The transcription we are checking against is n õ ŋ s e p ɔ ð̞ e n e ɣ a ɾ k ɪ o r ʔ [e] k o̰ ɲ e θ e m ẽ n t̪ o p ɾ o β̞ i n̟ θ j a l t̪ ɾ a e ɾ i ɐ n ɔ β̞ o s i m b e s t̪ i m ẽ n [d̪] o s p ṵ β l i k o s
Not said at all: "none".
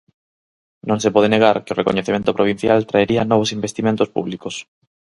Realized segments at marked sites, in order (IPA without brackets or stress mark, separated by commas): e, t̪